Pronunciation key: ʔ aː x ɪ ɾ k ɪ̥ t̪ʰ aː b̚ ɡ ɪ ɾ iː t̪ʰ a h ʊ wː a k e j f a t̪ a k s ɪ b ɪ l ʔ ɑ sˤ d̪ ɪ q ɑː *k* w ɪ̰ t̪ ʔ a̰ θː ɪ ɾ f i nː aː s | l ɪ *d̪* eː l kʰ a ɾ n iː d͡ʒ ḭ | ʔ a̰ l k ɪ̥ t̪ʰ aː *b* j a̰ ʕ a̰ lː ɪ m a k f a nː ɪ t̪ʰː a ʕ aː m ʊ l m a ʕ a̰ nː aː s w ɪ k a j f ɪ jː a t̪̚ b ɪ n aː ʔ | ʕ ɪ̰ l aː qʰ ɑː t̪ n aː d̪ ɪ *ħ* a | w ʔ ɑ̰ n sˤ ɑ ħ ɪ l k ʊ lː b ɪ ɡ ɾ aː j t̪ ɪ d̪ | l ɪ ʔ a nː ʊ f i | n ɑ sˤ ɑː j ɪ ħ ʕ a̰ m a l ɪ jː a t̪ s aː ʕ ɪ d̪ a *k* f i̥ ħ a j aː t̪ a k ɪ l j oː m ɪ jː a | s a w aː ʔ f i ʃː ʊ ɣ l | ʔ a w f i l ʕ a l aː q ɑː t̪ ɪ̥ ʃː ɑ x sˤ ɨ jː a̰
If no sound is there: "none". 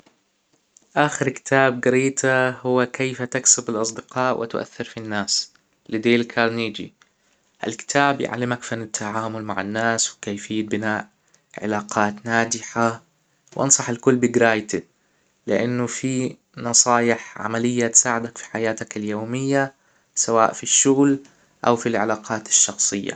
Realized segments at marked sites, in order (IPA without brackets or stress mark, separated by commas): ʔ, d̪, b, ħ, k